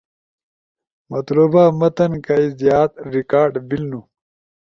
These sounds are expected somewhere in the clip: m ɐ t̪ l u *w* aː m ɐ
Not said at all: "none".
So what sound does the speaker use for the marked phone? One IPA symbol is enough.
b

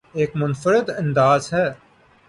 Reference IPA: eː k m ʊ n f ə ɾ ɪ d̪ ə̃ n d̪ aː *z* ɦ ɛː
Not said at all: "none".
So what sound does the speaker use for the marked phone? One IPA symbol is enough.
z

